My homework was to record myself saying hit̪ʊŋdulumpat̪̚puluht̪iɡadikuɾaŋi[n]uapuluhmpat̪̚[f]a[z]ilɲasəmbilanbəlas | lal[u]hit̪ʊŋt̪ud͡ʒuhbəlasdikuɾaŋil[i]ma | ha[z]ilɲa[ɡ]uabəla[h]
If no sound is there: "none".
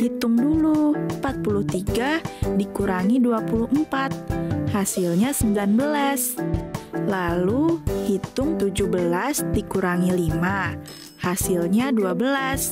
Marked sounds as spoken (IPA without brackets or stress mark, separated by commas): d, h, s, u, i, s, d, s